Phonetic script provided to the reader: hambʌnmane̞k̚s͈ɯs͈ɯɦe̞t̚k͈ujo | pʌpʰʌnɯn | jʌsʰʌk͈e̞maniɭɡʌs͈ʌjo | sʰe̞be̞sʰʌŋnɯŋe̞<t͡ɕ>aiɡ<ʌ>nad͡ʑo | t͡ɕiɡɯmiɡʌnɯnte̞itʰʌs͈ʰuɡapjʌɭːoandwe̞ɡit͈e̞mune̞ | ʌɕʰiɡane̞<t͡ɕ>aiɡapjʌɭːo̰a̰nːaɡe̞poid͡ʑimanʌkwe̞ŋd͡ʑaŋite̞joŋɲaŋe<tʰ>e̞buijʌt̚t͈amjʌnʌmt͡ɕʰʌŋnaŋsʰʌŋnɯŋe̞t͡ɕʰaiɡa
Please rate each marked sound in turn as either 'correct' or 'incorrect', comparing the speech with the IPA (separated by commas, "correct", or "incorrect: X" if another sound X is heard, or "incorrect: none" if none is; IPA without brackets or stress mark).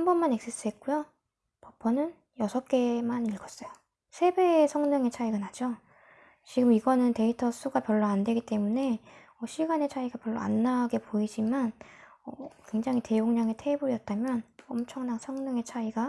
incorrect: t͡ɕʰ, incorrect: a, incorrect: t͡ɕʰ, correct